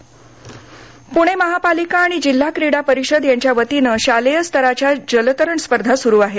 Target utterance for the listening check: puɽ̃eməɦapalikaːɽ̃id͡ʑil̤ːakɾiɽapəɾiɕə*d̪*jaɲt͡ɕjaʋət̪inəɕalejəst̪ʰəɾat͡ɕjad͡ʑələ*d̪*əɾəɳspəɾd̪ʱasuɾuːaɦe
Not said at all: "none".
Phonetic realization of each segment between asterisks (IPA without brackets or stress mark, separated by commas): d̪, t̪